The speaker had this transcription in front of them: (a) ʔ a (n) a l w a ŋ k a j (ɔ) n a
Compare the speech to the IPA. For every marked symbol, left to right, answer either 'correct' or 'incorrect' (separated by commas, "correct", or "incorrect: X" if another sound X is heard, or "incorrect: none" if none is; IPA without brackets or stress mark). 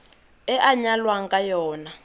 incorrect: ɛ, incorrect: ɲ, incorrect: ɔː